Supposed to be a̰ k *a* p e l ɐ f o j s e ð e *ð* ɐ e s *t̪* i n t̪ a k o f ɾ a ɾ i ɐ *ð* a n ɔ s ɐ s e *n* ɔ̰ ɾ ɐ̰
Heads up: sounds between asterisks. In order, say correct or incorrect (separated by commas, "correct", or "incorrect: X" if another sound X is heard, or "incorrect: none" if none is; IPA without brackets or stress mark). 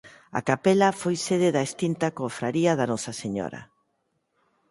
correct, correct, correct, correct, incorrect: ɲ